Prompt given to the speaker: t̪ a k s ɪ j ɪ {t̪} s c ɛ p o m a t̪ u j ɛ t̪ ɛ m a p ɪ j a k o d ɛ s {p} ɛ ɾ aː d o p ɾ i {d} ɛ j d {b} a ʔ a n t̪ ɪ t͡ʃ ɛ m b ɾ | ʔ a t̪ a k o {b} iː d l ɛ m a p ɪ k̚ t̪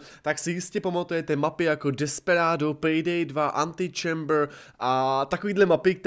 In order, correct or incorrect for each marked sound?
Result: incorrect: none, correct, correct, incorrect: v, incorrect: v

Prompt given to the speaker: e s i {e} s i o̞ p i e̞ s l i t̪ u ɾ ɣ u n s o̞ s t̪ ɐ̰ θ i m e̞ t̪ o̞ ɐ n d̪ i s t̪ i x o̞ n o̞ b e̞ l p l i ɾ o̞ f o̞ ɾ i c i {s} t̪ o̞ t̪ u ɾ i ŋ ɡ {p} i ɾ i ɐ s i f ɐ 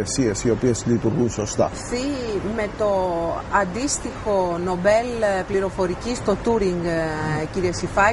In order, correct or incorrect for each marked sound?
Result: correct, correct, incorrect: c

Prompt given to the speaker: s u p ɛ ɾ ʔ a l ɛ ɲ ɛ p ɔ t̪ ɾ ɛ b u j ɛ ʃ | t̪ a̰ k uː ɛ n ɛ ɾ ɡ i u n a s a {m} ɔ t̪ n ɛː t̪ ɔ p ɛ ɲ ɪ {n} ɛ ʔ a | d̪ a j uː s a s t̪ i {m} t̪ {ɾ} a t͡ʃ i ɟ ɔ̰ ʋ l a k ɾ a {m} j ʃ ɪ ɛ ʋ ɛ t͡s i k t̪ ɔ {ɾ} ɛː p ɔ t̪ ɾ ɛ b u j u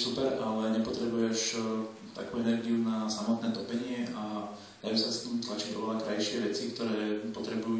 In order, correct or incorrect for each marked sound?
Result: correct, incorrect: none, correct, incorrect: l, incorrect: none, correct

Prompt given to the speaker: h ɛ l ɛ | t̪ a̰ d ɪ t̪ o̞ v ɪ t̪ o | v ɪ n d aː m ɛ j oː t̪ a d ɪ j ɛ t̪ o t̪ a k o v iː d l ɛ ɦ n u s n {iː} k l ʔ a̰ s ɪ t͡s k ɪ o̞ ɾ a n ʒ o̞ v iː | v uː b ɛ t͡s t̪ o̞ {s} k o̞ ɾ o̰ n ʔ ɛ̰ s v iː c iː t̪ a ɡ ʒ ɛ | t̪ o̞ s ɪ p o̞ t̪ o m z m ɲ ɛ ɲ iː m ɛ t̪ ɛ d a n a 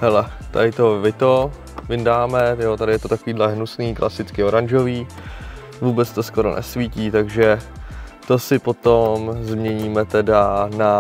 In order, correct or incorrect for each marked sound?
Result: correct, correct

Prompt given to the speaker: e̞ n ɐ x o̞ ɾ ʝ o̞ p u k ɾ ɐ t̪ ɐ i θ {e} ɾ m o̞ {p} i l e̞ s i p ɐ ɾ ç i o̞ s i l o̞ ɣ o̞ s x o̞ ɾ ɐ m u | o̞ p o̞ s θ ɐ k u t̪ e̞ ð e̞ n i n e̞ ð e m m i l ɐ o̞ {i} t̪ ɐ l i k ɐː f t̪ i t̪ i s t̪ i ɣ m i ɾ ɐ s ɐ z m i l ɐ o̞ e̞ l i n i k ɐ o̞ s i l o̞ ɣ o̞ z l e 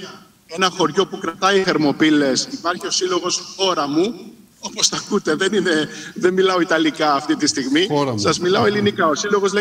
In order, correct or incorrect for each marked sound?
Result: correct, correct, correct

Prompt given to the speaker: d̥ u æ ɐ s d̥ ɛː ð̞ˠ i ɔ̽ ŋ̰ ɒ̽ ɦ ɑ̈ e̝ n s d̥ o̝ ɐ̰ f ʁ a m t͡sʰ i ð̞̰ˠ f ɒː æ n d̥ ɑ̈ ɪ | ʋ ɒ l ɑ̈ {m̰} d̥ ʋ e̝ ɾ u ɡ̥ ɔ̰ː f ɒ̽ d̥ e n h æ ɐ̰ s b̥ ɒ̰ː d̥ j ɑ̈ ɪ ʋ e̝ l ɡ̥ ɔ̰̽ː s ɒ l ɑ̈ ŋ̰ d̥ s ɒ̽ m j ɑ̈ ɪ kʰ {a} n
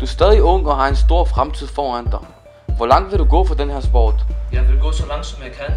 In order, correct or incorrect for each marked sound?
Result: incorrect: ŋ̰, incorrect: æ

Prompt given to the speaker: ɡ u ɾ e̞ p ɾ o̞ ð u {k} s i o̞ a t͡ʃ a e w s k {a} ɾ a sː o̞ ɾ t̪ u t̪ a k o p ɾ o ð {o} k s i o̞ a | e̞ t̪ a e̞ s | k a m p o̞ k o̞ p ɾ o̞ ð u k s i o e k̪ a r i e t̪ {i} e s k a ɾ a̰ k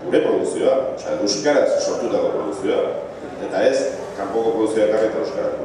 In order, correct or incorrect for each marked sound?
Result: correct, correct, incorrect: u, incorrect: a

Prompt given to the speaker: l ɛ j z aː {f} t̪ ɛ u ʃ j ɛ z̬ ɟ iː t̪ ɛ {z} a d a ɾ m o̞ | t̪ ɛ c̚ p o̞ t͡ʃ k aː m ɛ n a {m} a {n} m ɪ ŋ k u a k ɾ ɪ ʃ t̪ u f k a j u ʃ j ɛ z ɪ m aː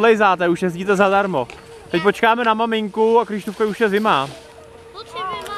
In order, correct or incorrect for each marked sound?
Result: incorrect: none, correct, correct, incorrect: none

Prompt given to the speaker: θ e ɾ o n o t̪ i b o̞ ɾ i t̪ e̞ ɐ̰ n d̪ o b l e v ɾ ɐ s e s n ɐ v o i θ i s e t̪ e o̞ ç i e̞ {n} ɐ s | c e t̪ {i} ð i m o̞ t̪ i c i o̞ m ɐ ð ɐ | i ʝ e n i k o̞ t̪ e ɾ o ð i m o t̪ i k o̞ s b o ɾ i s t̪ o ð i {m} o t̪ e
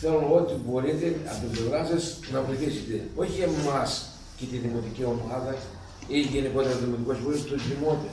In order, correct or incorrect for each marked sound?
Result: incorrect: m, correct, correct

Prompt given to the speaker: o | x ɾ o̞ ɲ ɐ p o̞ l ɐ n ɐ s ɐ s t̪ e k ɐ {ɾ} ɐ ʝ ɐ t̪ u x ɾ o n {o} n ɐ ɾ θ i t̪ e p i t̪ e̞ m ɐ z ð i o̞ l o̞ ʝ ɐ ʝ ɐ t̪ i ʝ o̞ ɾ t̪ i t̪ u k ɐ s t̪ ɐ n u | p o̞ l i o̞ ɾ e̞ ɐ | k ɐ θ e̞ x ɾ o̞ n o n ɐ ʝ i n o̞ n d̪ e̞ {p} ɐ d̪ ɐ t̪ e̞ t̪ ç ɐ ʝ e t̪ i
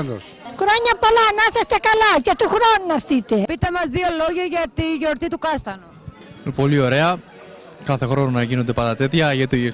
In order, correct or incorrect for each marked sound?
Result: incorrect: l, incorrect: u, correct

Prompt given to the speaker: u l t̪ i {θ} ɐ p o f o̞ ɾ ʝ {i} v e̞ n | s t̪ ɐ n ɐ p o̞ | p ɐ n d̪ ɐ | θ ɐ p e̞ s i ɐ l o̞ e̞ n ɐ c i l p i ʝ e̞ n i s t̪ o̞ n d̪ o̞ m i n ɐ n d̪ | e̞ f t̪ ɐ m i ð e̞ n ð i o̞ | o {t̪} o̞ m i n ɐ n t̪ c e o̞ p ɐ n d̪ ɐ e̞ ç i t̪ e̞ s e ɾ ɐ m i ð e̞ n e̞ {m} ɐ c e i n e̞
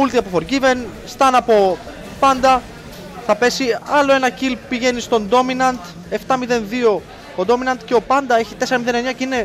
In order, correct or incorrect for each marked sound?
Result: incorrect: none, correct, incorrect: d̪, incorrect: ɲ

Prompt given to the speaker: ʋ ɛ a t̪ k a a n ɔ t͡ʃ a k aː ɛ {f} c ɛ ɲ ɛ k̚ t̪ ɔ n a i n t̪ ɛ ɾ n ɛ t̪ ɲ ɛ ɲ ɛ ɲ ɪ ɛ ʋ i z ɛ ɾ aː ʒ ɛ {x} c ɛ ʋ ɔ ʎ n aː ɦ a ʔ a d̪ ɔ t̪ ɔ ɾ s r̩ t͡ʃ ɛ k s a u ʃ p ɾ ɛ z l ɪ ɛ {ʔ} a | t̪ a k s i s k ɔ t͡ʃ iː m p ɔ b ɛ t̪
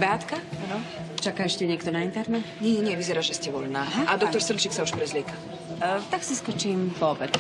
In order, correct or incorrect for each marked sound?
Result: incorrect: ʃ, incorrect: s, incorrect: k

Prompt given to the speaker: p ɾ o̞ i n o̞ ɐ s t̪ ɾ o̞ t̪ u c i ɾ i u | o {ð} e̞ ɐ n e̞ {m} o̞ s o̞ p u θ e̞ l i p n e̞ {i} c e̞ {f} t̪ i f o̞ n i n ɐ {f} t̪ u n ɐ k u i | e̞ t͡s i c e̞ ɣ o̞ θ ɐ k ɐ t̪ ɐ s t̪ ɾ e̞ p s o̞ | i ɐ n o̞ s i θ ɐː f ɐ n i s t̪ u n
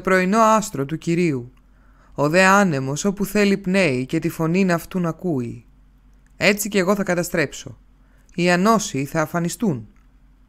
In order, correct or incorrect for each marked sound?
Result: correct, correct, correct, incorrect: none, correct

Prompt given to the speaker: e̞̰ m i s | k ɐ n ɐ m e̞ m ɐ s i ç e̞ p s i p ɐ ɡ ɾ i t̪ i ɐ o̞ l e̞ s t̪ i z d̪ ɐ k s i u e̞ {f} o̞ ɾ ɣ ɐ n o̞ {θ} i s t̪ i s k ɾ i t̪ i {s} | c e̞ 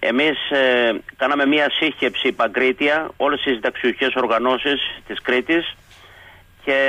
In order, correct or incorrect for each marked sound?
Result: incorrect: s, incorrect: s, correct

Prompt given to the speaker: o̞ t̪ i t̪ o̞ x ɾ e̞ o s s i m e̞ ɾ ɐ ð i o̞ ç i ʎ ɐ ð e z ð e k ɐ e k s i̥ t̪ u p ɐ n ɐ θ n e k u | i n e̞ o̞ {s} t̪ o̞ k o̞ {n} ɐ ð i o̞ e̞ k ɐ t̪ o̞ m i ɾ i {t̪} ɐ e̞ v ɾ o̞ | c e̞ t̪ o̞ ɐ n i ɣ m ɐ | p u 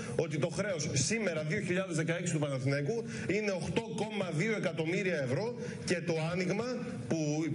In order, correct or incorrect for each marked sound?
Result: incorrect: x, incorrect: m, incorrect: none

